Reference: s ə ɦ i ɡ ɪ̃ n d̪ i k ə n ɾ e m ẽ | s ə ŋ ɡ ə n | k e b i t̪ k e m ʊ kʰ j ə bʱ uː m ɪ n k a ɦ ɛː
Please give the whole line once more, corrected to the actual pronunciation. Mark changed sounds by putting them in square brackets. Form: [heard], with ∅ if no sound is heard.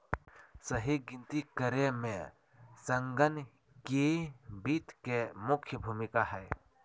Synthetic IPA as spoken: s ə ɦ i ɡ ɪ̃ n [t̪] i k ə [∅] ɾ e m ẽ | s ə ŋ ɡ ə n | k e b i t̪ k e m ʊ kʰ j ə bʱ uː m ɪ [∅] k a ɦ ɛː

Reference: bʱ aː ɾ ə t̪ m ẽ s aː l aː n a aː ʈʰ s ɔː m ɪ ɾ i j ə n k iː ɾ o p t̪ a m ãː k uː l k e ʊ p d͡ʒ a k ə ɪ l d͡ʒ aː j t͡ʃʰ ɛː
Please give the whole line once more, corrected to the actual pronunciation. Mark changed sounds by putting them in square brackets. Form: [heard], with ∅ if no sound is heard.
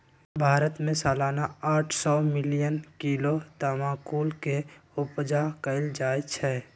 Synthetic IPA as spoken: bʱ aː ɾ ə t̪ m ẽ s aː l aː n a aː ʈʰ s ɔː m ɪ [l] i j ə n k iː [l] o [∅] t̪ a m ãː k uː l k e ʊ p d͡ʒ a k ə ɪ l d͡ʒ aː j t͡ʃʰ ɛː

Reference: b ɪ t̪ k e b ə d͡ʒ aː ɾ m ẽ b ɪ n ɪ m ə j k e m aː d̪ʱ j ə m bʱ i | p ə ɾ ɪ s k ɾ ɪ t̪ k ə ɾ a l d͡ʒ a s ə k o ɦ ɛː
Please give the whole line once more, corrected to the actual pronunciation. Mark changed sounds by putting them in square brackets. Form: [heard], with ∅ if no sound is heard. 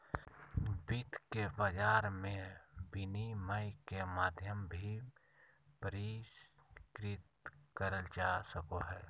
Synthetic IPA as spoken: b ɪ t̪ k e b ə d͡ʒ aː ɾ m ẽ b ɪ n [i] m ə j k e m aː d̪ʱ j ə m bʱ i | p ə ɾ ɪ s k ɾ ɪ t̪ k ə ɾ [ə] l d͡ʒ a s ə k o ɦ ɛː

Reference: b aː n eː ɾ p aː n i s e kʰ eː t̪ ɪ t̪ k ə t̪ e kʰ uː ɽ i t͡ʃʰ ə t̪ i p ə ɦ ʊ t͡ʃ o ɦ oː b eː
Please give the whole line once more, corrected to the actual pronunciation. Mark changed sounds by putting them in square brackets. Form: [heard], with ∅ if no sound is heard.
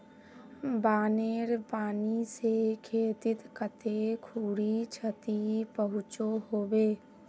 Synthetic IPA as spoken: b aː n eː ɾ p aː n i s e kʰ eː t̪ ɪ t̪ k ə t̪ e kʰ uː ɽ i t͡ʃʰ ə t̪ i p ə ɦ ʊ t͡ʃ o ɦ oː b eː

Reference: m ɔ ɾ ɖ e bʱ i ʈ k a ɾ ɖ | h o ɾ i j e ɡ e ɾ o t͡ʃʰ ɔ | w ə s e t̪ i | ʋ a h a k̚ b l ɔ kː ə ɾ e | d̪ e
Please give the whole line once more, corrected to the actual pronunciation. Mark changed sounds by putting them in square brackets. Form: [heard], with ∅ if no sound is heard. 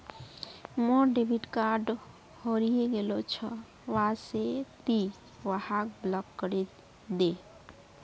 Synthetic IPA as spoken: m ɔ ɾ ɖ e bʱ i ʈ k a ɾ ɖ | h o ɾ i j e ɡ e [l] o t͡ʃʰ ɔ | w [a] s e t̪ i | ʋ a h a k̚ b l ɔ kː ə ɾ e | d̪ e

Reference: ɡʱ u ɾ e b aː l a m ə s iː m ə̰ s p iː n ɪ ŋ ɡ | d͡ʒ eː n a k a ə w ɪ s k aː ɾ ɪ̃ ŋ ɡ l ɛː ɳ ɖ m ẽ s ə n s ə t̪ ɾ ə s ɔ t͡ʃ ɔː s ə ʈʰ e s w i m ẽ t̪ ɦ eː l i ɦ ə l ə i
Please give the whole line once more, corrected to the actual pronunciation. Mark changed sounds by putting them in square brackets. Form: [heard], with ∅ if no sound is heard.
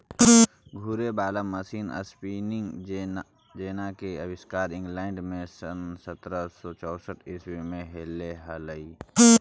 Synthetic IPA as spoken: ɡʱ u ɾ e b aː l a m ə s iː [n] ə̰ s p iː n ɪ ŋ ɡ | d͡ʒ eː n a k [e] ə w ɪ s k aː ɾ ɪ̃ ŋ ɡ l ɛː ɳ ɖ m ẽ s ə n s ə t̪ ɾ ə s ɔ t͡ʃ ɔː s ə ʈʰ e s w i m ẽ [∅] ɦ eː l [e] ɦ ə l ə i

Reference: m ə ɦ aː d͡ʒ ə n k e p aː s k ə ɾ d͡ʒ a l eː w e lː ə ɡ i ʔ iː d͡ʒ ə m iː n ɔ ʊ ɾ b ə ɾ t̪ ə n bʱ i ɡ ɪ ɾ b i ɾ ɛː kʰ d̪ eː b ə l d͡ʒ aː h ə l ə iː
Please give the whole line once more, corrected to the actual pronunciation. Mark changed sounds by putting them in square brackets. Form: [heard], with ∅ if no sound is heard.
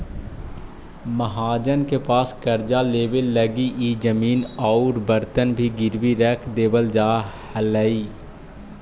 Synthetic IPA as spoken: m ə ɦ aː d͡ʒ ə n k e p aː s k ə ɾ d͡ʒ a l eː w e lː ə ɡ i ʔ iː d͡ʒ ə m iː n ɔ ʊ ɾ b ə ɾ t̪ ə n bʱ i ɡ ɪ ɾ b i ɾ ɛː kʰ d̪ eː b ə l d͡ʒ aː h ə l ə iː

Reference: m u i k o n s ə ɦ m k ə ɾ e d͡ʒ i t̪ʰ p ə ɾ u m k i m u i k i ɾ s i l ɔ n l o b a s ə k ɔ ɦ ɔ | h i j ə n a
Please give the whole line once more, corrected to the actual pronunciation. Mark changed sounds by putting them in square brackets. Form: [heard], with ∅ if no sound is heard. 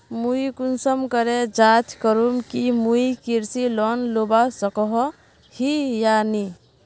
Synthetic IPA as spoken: m u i k [u] n s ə [∅] m k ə ɾ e d͡ʒ [a] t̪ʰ [k] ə ɾ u m k i m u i k i ɾ s i l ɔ n l o b a s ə k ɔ ɦ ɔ | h i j [a] n [i]

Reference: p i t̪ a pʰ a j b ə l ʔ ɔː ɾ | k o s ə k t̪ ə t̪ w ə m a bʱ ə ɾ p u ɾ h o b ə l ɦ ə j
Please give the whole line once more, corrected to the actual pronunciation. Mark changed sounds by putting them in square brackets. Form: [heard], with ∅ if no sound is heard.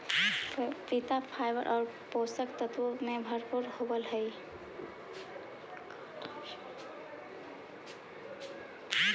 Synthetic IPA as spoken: p i t̪ a pʰ a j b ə [ɾ] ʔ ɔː ɾ | [p] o s ə k t̪ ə t̪ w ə m [e] bʱ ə ɾ p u ɾ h o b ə l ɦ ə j

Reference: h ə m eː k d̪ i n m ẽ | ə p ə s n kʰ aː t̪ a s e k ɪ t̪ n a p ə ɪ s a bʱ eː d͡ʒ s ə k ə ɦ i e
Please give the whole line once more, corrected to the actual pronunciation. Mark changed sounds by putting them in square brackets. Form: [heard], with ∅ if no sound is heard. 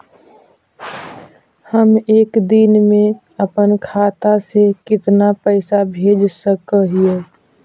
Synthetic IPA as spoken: h ə m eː k d̪ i n m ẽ | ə p ə [∅] n kʰ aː t̪ a s e k ɪ t̪ n a p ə ɪ s a bʱ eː d͡ʒ s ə k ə ɦ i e

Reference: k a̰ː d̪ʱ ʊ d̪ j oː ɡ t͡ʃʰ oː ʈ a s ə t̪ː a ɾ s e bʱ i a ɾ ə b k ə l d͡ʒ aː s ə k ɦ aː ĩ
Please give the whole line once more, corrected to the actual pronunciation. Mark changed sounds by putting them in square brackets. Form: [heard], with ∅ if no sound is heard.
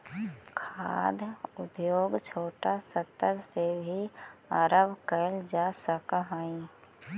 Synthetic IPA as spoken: [kʰ] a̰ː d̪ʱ ʊ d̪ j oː ɡ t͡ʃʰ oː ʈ a s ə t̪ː [ə] ɾ s e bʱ i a ɾ ə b k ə l d͡ʒ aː s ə k ɦ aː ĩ

